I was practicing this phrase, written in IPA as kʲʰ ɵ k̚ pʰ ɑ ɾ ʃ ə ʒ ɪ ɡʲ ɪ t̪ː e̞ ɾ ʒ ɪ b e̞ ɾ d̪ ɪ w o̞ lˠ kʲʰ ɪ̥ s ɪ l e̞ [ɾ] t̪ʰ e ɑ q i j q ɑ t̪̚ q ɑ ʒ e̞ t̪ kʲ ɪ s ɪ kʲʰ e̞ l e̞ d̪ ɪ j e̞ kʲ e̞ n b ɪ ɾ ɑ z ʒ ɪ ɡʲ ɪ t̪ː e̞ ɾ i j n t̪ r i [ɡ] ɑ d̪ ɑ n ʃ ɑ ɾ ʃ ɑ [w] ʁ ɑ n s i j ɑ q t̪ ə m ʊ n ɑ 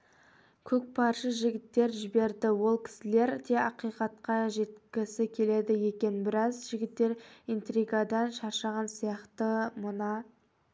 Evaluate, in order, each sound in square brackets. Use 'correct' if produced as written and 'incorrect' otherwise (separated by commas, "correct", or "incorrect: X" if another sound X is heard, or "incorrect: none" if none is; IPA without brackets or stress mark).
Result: correct, correct, incorrect: none